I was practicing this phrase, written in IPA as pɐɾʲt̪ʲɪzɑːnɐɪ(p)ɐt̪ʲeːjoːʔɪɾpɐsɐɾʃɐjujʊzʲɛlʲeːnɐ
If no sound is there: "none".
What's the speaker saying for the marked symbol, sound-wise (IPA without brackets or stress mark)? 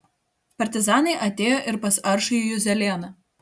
ʔ